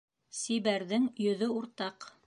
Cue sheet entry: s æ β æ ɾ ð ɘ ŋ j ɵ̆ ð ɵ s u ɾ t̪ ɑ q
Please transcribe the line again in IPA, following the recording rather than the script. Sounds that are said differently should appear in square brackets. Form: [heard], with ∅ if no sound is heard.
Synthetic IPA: s [i] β æ ɾ ð ɘ ŋ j ɵ̆ ð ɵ [∅] u ɾ t̪ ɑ q